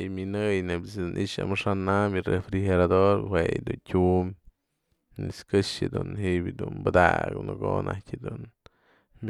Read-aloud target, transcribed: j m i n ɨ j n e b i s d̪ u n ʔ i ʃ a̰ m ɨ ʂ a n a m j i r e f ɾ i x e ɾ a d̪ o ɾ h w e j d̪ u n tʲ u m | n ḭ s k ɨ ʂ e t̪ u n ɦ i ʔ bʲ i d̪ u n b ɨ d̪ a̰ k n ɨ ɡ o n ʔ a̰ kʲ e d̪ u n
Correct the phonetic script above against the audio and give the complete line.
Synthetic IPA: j m i n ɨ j n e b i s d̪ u n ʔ i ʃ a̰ m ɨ ʂ a n a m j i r e f ɾ i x e ɾ a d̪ o ɾ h w e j d̪ u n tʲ u m | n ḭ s k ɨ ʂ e d̪ u n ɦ i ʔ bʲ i d̪ u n b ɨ d̪ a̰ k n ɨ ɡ o n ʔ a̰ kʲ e d̪ u n